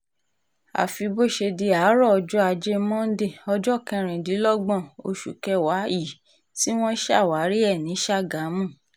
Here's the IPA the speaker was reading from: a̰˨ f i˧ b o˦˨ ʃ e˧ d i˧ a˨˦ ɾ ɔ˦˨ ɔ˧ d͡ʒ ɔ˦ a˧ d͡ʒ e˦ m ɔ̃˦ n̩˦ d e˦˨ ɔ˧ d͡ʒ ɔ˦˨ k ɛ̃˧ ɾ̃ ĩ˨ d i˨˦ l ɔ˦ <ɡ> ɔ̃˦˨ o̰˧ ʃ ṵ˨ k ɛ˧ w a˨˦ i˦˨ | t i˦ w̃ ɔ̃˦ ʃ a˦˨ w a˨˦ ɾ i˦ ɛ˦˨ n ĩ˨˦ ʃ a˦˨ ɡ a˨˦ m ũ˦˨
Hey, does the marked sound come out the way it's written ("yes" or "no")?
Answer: no